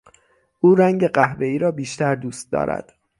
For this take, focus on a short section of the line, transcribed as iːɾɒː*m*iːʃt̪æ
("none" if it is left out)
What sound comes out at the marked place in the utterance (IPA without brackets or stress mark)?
b